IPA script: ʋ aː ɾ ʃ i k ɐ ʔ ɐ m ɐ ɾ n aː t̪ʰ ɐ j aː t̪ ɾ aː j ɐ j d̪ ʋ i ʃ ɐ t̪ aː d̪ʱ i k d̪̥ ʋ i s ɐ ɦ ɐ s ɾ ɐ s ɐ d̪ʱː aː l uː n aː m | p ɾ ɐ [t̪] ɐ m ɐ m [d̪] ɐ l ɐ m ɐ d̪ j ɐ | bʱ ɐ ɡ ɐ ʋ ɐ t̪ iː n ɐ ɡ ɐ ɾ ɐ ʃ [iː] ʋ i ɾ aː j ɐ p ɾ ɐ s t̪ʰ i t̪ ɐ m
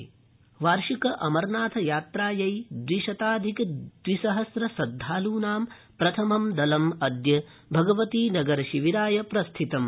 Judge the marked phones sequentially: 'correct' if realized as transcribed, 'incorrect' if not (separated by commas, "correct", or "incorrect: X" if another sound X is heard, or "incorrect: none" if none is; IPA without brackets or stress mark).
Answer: incorrect: t̪ʰ, correct, incorrect: i